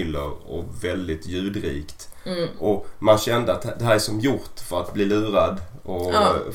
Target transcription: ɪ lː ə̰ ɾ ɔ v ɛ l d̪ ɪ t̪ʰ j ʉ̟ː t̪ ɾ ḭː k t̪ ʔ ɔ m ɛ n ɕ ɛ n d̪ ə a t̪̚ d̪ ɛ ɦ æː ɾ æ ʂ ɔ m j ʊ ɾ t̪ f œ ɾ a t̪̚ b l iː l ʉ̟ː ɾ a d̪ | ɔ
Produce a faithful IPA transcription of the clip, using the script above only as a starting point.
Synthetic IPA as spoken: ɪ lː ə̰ ɾ ɔ v ɛ l d̪ ɪ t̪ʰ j ʉ̟ː d̪ ɾ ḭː k t̪ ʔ ɔ m a n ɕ ɛ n d̪ ə a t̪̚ d̪ ɛ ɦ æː ɾ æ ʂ ɔ m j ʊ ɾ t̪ f œ ɾ a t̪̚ b l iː l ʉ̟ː ɾ a d̪ | ɔ